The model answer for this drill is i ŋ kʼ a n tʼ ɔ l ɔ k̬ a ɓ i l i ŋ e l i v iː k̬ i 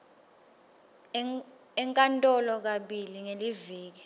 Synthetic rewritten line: ɛ ŋ kʼ a n tʼ ɔ l ɔ k̬ a ɓ i l i ŋ e l i v iː k̬ i